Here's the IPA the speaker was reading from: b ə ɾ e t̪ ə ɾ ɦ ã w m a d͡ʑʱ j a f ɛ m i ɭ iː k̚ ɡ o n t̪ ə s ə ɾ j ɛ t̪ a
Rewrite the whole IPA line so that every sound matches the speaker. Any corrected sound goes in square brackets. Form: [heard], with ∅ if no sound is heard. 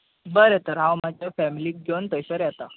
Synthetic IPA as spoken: b ə ɾ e t̪ ə ɾ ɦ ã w m a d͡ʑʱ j a f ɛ m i [l] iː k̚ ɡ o n t̪ ə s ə ɾ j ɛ t̪ a